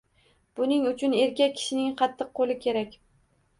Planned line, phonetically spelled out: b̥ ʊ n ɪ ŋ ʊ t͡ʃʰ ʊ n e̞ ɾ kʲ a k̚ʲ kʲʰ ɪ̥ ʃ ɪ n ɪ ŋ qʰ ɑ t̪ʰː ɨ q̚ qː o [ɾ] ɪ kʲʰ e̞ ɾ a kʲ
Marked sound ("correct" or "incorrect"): incorrect